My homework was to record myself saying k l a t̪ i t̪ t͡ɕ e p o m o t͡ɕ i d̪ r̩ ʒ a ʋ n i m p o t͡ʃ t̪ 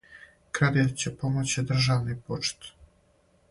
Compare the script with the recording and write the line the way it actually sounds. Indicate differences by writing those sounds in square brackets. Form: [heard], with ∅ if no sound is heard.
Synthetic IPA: k [ɾ] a [d̪] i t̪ t͡ɕ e p o m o t͡ɕ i d̪ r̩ ʒ a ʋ n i [∅] p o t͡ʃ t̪